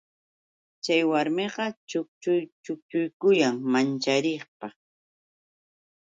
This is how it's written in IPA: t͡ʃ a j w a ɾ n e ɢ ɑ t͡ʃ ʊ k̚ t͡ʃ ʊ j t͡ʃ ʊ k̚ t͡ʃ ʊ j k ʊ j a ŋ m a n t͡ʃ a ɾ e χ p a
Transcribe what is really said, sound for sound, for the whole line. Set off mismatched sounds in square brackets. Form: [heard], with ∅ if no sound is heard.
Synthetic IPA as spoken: t͡ʃ a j w a ɾ [m] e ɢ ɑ t͡ʃ ʊ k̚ t͡ʃ ʊ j t͡ʃ ʊ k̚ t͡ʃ ʊ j k ʊ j a ŋ m a n t͡ʃ a ɾ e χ p a